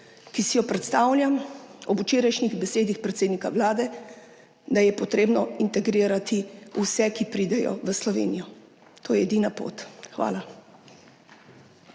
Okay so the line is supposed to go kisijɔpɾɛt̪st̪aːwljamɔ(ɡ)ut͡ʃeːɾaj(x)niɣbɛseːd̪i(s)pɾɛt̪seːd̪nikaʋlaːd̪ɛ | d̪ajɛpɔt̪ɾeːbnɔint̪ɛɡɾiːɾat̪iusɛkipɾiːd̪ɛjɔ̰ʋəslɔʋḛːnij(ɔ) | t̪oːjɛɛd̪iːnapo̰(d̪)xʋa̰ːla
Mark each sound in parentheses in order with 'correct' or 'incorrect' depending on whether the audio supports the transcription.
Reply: incorrect, incorrect, incorrect, correct, incorrect

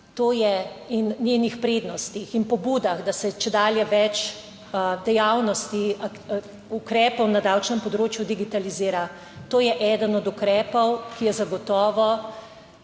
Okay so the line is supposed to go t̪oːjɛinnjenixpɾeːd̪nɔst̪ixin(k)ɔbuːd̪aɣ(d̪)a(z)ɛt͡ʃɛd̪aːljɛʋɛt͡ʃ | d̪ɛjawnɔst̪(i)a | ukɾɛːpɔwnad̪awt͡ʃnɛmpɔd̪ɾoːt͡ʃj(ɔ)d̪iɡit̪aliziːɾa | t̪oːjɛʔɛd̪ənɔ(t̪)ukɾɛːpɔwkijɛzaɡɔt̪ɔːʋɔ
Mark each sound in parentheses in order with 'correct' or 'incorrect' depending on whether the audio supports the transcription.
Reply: incorrect, correct, incorrect, correct, incorrect, incorrect

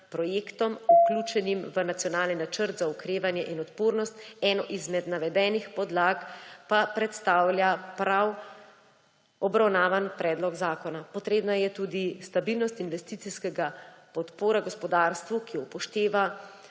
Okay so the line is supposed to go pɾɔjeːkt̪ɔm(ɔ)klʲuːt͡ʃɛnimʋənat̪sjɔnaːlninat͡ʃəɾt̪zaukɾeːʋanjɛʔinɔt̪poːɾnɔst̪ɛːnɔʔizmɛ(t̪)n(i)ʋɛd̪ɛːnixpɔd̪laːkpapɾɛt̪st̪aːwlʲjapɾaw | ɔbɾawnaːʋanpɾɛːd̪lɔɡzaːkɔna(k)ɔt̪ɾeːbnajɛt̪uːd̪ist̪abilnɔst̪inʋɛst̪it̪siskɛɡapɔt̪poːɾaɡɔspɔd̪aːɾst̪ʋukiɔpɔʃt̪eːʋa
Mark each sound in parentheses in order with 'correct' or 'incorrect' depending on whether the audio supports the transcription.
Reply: incorrect, incorrect, incorrect, incorrect

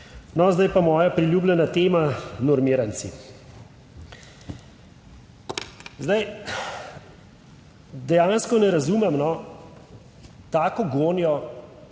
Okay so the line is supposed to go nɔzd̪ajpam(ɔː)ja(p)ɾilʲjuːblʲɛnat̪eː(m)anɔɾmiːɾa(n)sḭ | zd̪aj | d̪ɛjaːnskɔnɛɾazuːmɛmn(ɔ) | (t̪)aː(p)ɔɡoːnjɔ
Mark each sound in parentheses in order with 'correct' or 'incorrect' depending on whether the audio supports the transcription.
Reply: correct, correct, correct, correct, correct, correct, incorrect

